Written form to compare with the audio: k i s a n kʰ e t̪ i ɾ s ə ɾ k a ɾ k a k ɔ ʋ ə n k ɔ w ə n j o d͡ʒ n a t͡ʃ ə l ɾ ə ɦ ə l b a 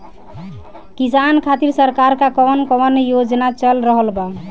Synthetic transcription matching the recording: k i s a n kʰ a t̪ i ɾ s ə ɾ k a ɾ k a k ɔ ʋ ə n k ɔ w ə n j o d͡ʒ n a t͡ʃ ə l ɾ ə ɦ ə l b a